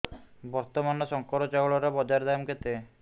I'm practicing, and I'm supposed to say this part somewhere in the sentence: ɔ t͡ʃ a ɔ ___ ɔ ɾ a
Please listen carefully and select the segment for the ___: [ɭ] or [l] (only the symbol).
ɭ